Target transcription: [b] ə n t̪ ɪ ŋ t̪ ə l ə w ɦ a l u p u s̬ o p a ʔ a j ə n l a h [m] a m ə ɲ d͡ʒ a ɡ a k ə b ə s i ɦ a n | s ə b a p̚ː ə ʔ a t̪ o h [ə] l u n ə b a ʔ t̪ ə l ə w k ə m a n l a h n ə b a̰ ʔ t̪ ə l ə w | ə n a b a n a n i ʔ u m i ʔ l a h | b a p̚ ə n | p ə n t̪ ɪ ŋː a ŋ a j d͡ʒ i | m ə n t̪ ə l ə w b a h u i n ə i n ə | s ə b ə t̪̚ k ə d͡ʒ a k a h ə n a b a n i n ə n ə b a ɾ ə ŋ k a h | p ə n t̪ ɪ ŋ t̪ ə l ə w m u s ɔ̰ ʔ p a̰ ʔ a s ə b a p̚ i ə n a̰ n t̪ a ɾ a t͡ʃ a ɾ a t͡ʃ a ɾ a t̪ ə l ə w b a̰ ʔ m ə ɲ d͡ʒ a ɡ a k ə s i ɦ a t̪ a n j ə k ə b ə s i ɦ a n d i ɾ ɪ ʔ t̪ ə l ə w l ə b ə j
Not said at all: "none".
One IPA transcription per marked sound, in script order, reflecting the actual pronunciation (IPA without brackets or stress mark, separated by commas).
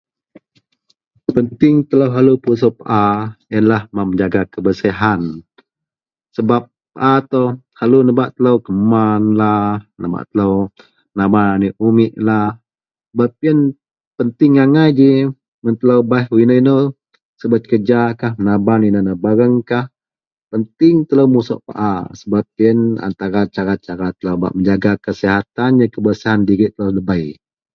p, m, a